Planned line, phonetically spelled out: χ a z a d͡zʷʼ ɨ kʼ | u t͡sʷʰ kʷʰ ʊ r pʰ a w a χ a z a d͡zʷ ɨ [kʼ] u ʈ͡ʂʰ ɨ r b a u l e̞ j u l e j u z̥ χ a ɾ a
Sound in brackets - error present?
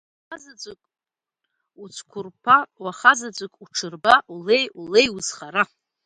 no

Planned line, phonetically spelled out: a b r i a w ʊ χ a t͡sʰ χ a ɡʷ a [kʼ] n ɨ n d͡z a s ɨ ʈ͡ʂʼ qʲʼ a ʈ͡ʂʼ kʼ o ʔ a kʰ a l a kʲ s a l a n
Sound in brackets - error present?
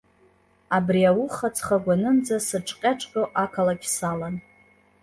yes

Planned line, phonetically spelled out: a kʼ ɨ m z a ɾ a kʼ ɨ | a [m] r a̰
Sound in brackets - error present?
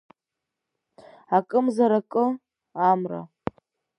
no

